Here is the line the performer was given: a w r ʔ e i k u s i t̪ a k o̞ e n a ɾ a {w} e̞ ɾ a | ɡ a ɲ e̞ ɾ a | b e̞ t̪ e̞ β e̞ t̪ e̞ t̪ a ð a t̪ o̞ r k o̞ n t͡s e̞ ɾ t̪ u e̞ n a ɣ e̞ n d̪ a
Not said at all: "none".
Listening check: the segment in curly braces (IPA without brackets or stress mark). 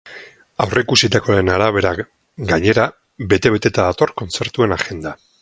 β